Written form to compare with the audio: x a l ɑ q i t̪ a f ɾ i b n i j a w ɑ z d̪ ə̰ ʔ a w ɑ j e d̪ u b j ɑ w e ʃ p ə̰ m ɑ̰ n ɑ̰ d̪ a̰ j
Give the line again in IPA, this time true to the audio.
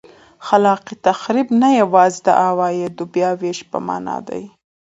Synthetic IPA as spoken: x a l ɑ q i t̪ a x ɾ i b n a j a w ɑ z d̪ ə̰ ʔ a w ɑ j e d̪ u b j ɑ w e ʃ p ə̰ m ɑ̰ n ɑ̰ d̪ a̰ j